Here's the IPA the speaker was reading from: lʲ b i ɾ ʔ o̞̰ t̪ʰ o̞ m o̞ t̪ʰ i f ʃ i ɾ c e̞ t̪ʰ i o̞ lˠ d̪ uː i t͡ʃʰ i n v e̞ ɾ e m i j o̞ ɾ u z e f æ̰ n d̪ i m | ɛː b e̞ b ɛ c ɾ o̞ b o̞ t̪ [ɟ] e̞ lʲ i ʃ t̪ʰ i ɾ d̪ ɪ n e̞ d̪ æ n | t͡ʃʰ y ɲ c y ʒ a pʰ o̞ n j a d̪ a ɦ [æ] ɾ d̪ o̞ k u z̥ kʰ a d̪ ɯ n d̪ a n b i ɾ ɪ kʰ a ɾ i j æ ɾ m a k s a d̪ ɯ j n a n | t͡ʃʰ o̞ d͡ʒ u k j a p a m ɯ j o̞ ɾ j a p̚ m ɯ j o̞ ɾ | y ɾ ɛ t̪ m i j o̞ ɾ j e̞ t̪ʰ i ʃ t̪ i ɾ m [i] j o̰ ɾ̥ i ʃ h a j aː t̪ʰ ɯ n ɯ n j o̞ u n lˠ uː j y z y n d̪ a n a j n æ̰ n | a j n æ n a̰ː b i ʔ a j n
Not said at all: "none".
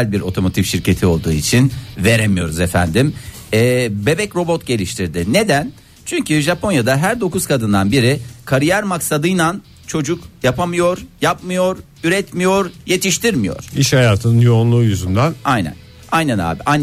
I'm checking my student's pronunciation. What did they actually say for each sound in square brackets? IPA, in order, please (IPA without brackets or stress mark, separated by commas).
ɟ, æ, i